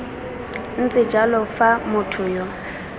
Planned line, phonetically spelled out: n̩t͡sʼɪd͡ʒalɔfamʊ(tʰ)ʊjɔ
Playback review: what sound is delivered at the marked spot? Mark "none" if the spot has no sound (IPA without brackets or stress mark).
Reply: tʰ